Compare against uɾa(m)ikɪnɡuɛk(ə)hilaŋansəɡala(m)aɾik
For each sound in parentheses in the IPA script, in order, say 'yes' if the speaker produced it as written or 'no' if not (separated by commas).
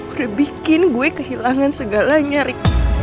no, yes, no